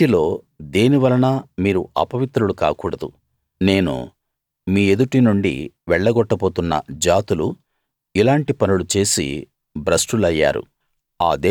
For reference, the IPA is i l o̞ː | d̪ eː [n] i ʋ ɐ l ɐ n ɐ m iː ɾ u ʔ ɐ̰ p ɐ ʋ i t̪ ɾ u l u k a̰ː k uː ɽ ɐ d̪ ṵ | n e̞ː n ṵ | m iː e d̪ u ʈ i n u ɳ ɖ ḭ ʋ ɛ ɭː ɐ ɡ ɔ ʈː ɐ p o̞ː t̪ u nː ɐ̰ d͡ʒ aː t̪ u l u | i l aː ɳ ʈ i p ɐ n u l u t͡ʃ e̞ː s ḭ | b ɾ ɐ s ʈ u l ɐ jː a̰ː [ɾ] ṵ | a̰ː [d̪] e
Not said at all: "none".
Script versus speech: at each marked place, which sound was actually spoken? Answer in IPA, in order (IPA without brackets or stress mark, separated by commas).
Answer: n, ɾ, d̪